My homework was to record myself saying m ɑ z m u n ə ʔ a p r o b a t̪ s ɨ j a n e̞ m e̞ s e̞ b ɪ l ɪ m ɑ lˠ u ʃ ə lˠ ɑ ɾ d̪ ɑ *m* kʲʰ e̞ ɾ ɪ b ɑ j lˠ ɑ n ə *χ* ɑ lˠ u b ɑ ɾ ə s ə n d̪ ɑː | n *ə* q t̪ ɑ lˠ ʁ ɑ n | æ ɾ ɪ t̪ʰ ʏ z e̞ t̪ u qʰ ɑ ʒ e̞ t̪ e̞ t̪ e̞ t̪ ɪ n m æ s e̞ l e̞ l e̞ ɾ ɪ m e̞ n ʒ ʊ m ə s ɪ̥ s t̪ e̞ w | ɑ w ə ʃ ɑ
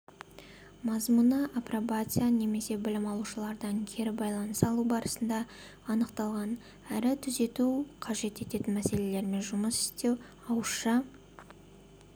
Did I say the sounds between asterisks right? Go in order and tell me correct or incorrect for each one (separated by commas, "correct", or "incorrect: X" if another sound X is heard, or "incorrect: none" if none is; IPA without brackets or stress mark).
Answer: incorrect: ŋ, incorrect: s, correct